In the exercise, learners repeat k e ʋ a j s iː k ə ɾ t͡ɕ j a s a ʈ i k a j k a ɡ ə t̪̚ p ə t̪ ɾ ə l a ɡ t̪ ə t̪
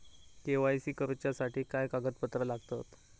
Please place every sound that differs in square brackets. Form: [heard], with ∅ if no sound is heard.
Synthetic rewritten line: k e ʋ a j s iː k ə ɾ t͡ɕ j a s a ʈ [iː] k a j k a ɡ ə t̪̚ p ə t̪ ɾ ə l a ɡ t̪ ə t̪